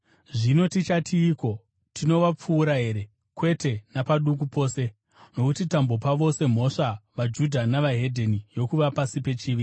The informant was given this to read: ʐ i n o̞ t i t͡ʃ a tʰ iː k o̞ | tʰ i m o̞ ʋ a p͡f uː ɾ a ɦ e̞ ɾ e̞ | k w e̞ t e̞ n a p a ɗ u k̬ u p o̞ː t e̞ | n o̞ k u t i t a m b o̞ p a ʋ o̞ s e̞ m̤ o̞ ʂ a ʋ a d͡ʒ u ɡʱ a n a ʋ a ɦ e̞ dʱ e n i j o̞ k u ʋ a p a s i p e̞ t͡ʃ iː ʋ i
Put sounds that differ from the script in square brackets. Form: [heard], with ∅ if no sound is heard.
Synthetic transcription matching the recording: ʐ i n o̞ t i t͡ʃ a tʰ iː k o̞ | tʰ i [n] o̞ ʋ a p͡f uː ɾ a ɦ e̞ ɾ e̞ | k w e̞ t e̞ n a p a ɗ u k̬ u p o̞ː [s] e̞ | n o̞ k u t i t a m b o̞ p a ʋ o̞ s e̞ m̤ o̞ ʂ a ʋ a d͡ʒ u [dʱ] a n a ʋ a ɦ e̞ dʱ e n i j o̞ k u ʋ a p a s i p e̞ t͡ʃ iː ʋ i